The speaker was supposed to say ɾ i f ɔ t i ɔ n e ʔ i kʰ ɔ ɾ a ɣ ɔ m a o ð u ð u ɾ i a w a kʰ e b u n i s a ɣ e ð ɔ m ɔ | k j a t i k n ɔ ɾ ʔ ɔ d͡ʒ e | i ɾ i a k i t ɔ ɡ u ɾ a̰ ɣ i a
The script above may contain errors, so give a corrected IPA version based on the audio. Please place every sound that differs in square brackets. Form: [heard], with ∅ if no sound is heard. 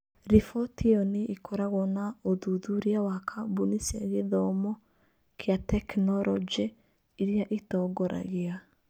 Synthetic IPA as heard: ɾ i f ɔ t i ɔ n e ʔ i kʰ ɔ ɾ a ɣ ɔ [n] a o ð u ð u ɾ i a w a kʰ [a] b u n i s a ɣ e ð ɔ m ɔ | k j a t [ɛ] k n ɔ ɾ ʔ ɔ d͡ʒ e | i ɾ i a [ʔ] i t ɔ ɡ [ɔ] ɾ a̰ ɣ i a